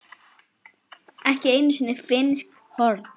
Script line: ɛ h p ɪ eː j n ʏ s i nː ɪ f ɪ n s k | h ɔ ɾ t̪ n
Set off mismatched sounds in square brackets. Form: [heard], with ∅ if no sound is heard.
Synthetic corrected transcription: ɛ h [c] ɪ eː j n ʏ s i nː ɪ f ɪ n s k | h ɔ ɾ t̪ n